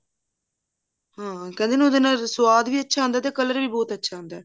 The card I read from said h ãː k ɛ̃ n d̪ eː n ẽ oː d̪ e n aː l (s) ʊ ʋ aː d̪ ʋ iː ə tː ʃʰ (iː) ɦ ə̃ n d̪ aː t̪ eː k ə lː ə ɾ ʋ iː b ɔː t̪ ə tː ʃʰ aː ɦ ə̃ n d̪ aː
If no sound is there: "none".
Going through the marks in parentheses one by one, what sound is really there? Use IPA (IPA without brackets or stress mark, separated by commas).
s, aː